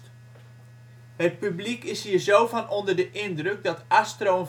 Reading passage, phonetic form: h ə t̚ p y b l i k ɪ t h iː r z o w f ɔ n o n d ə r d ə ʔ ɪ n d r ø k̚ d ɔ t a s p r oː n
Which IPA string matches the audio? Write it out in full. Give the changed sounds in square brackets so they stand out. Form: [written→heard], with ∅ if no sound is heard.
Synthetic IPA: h ə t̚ p y b l i k ɪ [t→s] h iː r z o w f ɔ n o n d ə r d ə ʔ ɪ n d r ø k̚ d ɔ t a s [p→t] r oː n